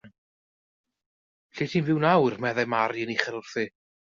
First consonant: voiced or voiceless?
voiceless